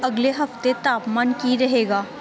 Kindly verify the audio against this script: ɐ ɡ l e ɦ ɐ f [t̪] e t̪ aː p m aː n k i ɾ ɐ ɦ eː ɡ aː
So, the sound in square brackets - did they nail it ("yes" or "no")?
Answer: yes